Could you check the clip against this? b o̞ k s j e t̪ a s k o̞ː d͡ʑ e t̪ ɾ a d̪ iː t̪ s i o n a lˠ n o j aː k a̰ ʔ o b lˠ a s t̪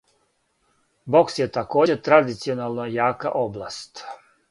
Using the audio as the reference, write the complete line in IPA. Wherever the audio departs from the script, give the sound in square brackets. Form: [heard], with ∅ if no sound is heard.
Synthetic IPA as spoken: b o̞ k s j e t̪ a [∅] k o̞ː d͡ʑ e t̪ ɾ a d̪ [i] t̪ s i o n a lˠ n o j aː k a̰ ʔ o b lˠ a s t̪